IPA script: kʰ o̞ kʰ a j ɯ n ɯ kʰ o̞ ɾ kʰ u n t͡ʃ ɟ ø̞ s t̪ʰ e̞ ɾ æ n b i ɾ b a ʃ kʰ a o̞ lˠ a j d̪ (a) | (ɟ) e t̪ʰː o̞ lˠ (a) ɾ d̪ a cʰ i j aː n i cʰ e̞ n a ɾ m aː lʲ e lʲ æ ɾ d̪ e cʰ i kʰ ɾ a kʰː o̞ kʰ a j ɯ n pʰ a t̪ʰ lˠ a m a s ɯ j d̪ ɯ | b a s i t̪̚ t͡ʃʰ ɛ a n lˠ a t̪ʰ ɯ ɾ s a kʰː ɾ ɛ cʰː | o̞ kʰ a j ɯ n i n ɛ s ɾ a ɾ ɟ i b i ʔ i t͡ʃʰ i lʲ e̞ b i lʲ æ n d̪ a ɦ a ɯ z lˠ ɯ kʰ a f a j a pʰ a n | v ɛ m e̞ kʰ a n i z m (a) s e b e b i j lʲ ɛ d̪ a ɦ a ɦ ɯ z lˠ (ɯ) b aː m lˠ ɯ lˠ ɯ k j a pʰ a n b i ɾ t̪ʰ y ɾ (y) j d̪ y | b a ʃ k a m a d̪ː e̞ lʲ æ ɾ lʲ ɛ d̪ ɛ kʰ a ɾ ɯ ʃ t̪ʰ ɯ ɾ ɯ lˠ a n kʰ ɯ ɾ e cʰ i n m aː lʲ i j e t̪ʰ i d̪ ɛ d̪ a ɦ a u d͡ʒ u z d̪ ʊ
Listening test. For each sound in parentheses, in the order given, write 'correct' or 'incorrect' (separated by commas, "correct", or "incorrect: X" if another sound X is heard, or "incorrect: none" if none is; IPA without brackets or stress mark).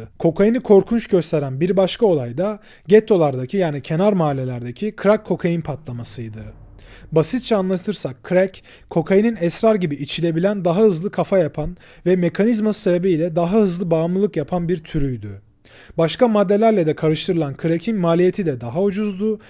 correct, correct, correct, correct, correct, correct